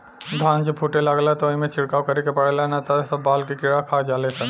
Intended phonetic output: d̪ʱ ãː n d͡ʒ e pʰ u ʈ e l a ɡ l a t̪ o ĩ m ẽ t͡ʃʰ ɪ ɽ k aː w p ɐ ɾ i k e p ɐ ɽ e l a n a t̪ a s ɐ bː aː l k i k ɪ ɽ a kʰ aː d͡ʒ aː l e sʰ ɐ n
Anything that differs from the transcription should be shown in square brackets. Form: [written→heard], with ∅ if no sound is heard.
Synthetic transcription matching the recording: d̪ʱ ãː n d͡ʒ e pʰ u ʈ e l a ɡ l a t̪ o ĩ m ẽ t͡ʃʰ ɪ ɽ k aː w [p→k] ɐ ɾ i k e p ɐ ɽ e l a n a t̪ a s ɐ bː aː l k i k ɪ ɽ a kʰ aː d͡ʒ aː l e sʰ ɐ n